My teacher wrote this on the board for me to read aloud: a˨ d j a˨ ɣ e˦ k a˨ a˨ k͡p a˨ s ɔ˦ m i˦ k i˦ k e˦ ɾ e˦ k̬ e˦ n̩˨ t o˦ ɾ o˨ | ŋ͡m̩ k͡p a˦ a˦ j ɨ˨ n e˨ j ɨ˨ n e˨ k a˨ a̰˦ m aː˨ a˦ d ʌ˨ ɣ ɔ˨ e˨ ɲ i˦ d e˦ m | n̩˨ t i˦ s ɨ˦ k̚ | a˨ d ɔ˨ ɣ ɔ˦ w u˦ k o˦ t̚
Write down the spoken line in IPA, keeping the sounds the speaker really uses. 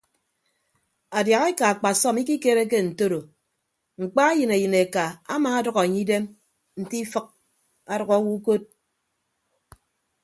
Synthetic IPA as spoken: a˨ d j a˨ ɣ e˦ k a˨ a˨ k͡p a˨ s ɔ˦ m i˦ k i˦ k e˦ ɾ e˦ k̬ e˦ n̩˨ t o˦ ɾ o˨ | ŋ͡m̩ k͡p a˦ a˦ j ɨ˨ n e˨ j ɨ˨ n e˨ k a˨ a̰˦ m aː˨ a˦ d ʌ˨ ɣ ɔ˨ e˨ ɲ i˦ d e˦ m | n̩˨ t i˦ f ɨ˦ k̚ | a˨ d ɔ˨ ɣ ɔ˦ w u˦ k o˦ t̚